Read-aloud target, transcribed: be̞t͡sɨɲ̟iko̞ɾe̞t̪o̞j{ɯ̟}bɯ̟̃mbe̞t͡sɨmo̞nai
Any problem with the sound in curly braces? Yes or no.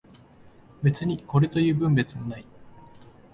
yes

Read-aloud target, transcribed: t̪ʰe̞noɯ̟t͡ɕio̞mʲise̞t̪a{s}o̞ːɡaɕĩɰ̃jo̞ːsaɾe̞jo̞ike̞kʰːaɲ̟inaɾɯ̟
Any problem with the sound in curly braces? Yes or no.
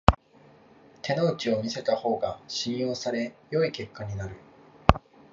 yes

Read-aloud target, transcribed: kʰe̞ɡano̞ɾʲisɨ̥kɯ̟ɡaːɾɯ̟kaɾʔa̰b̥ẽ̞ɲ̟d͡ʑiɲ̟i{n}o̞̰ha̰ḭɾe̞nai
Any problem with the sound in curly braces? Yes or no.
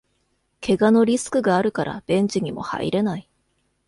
yes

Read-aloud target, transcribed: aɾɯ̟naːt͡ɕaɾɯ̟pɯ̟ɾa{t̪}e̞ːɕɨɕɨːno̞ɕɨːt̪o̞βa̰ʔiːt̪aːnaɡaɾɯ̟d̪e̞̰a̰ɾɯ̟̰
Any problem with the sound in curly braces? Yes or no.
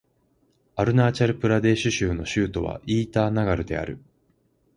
yes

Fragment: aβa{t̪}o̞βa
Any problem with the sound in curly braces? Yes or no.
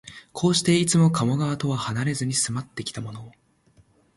no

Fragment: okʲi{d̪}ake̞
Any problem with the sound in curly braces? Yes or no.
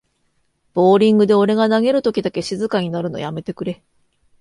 no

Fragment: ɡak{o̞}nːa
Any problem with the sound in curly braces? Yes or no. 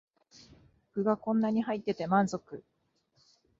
yes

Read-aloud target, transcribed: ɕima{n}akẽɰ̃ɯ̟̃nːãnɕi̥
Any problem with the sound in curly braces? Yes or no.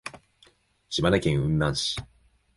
no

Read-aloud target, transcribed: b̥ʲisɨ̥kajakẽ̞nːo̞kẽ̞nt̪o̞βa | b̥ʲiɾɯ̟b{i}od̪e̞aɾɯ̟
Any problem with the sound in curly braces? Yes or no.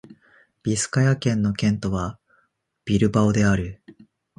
yes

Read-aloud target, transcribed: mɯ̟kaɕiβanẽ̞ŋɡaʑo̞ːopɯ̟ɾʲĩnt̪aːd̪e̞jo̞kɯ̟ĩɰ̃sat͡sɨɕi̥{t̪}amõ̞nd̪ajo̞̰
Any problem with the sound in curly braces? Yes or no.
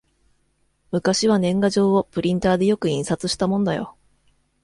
no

